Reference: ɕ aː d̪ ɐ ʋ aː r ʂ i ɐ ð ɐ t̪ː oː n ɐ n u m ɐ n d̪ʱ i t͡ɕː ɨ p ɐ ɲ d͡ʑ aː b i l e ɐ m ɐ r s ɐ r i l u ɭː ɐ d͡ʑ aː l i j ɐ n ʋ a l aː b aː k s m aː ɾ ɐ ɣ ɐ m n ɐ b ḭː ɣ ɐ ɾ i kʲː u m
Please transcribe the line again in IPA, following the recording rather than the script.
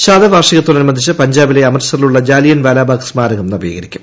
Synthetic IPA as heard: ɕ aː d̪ ɐ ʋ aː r ʂ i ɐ ɣ ɐ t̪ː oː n ɐ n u m ɐ n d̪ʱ i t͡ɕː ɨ p ɐ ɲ d͡ʑ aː b i l e ɐ m ɐ r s ɐ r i l u ɭː ɐ d͡ʑ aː l i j ɐ n ʋ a l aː b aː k s m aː ɾ ɐ ɣ ɐ m n ɐ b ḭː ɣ ɐ ɾ i kʲː u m